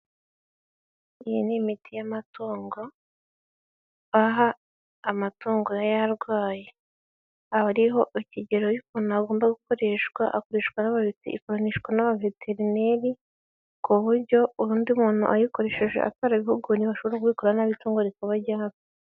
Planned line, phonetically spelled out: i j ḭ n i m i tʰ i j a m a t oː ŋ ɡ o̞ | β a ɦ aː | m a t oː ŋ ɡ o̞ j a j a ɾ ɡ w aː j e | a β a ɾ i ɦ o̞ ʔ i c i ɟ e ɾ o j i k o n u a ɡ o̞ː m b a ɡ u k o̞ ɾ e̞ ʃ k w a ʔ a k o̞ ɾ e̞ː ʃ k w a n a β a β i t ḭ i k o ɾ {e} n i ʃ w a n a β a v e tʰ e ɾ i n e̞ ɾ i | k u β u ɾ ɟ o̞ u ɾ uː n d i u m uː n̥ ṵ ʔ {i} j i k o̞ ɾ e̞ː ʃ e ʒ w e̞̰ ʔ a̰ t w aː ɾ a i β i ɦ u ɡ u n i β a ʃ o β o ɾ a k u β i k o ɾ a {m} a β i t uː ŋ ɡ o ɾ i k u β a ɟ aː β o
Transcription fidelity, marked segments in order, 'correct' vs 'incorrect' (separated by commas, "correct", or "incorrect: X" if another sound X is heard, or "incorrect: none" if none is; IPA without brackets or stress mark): incorrect: a, incorrect: a, incorrect: n